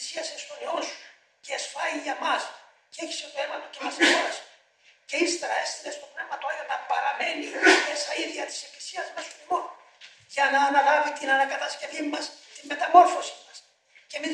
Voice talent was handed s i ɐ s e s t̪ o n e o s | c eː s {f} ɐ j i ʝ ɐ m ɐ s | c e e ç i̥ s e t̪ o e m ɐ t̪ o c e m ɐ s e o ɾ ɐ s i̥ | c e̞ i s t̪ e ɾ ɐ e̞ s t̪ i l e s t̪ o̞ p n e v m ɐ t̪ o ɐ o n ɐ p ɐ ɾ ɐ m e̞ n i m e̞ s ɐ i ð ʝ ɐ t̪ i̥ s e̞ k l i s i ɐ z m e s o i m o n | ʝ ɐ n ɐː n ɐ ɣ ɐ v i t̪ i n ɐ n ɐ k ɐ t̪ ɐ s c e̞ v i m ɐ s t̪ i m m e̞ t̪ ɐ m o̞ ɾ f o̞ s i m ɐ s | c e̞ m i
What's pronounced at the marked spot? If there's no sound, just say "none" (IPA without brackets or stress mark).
f